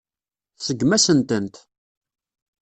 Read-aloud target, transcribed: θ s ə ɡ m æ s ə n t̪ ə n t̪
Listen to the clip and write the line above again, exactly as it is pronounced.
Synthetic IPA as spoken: θ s ə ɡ m æ s ə n t̪ ə n t̪